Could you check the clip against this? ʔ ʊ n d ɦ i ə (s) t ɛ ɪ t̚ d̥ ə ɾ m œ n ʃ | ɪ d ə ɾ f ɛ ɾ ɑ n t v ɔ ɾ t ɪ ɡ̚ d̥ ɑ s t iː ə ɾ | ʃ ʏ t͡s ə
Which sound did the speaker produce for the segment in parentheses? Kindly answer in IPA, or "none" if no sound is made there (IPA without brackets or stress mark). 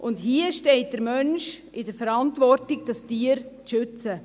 ʃ